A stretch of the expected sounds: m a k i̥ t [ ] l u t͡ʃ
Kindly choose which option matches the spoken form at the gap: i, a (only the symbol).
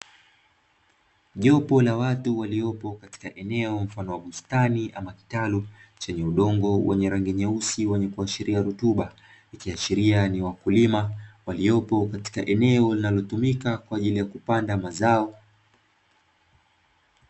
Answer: a